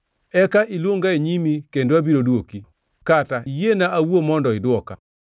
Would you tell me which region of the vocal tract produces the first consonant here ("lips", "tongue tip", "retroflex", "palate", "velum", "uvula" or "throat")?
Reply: velum